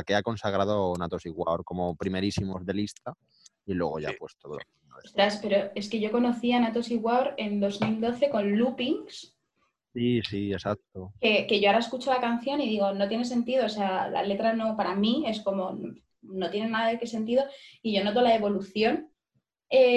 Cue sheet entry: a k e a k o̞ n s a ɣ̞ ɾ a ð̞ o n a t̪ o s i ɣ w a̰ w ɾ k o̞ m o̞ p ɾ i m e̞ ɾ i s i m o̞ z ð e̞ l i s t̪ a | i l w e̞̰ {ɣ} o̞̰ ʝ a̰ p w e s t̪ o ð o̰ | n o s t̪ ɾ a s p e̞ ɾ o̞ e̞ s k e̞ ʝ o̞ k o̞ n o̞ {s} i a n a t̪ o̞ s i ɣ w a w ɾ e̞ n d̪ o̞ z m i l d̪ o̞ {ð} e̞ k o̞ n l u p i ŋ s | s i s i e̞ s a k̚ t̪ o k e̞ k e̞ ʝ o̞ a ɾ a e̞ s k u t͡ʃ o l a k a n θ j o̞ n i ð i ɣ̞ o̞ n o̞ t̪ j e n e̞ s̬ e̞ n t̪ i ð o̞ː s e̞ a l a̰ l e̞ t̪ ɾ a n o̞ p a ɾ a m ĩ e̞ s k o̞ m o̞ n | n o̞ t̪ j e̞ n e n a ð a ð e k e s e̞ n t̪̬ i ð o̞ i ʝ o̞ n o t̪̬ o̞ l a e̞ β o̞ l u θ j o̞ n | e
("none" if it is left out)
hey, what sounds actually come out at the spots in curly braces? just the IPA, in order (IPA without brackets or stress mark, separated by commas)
ɣ, θ, θ